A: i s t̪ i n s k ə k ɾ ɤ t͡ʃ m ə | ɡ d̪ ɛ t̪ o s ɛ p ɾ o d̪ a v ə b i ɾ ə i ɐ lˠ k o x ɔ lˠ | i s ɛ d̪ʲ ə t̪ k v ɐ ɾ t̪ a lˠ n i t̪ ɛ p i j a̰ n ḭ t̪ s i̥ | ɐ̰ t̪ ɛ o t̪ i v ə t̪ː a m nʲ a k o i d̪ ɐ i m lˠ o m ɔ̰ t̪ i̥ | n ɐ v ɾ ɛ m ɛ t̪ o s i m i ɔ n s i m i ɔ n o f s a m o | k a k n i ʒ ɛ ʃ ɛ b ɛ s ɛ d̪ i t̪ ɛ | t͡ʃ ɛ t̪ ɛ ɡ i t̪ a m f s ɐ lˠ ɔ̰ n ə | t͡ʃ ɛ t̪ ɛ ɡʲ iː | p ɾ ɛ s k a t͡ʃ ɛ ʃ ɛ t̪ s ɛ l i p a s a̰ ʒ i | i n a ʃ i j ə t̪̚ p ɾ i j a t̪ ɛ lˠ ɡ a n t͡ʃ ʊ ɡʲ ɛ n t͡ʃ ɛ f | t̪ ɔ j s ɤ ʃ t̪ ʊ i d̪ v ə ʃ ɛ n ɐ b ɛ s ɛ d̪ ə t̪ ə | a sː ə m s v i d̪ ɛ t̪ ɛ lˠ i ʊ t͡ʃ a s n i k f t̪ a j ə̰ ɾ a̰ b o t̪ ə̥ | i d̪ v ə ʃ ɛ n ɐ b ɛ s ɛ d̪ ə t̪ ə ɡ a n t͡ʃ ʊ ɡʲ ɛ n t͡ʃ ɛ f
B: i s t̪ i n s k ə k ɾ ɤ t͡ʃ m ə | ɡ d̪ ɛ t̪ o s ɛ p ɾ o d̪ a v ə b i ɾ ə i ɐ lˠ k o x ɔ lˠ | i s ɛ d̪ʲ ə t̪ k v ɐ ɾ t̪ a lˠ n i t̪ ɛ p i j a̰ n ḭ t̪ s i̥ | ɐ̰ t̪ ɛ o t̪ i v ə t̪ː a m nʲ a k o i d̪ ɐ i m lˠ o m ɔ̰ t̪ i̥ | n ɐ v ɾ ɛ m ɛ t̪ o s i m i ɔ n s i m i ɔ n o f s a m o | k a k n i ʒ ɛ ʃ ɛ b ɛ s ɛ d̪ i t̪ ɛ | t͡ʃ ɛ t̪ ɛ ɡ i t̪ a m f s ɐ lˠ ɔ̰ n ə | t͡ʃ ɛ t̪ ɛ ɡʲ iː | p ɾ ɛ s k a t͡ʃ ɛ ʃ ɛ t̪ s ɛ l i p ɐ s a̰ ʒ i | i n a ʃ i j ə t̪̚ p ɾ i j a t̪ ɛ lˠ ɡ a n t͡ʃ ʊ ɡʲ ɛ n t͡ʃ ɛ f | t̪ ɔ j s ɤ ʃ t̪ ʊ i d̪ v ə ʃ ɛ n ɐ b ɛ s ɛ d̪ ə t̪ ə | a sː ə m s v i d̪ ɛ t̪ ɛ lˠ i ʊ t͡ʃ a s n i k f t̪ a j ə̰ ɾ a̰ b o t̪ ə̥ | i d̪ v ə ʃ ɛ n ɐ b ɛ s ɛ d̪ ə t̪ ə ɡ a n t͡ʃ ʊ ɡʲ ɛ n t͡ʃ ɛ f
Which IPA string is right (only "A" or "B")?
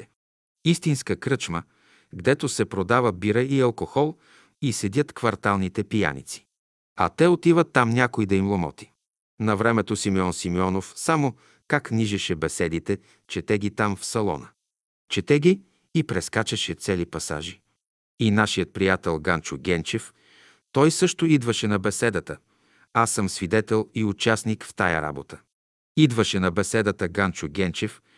B